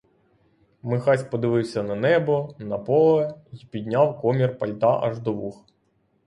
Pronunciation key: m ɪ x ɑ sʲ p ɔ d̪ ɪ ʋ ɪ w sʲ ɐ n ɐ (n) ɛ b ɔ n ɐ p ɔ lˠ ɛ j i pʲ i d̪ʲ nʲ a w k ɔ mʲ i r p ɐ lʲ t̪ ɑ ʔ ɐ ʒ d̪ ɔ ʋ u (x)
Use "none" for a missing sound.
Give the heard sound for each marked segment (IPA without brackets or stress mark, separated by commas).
n, x